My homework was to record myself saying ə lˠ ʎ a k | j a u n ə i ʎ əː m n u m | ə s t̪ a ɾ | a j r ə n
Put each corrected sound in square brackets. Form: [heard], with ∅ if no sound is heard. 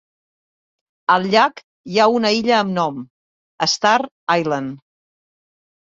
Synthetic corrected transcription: ə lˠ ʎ a k | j a u n ə i ʎ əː m n [ɔ] m | ə s t̪ a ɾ | a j [l] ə n